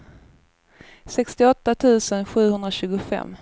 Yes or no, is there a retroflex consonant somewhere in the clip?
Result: no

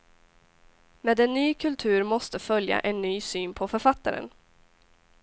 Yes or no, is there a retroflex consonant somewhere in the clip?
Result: no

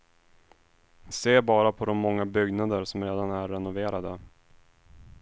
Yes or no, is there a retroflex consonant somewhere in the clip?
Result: no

